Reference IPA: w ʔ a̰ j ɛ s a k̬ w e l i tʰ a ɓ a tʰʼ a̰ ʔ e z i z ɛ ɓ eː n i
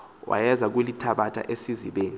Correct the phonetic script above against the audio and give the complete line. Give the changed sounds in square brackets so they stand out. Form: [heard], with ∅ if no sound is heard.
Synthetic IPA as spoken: w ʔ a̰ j ɛ [z] a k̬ w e l i tʰ a ɓ a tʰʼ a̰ ʔ e [s] i z [i] ɓ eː n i